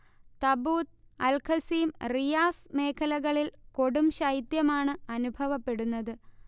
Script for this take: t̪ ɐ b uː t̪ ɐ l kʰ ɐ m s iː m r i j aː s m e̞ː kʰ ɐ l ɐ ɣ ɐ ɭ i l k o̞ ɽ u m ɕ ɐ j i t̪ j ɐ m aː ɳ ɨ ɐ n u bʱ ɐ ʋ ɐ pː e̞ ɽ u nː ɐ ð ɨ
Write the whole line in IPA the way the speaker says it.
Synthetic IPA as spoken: t̪ ɐ b uː t̪ ɐ l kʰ ɐ s iː m r i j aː s m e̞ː kʰ ɐ l ɐ ɣ ɐ ɭ i l k o̞ ɽ u m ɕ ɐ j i t̪ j ɐ m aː ɳ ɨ ɐ n u bʱ ɐ ʋ ɐ pː e̞ ɽ u nː ɐ ð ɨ